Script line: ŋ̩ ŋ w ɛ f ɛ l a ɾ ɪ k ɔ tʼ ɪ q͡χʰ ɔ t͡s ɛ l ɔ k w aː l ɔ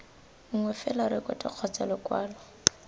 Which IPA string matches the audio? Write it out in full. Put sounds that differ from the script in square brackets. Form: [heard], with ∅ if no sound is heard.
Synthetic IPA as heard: ŋ̩ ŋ w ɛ f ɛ l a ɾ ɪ k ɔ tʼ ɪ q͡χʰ ɔ t͡s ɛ l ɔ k w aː l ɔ